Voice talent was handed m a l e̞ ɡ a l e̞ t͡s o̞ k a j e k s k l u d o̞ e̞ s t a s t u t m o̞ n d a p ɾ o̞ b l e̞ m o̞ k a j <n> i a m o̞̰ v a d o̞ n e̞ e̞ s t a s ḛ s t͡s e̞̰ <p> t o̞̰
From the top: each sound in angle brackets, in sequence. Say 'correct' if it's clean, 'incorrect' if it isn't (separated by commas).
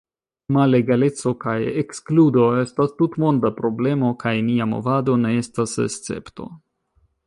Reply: correct, correct